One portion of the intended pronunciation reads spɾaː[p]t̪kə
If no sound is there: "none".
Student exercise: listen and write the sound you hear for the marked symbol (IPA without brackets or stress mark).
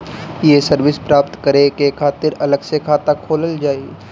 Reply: p